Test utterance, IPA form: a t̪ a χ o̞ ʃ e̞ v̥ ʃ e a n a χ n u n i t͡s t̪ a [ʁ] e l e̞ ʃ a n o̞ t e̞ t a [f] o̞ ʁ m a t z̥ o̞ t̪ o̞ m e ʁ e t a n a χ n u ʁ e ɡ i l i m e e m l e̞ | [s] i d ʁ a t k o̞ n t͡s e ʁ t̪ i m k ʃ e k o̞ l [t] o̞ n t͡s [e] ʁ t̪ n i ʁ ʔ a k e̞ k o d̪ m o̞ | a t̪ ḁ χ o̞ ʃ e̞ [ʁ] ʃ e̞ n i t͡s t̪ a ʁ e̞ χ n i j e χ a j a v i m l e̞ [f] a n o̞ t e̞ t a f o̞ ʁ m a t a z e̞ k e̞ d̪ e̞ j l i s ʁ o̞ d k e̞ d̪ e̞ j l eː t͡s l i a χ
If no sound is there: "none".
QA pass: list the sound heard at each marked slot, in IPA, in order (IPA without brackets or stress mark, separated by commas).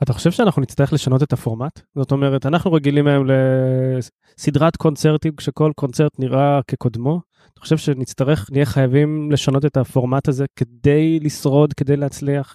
ʁ, f, s, k, e, v, ʃ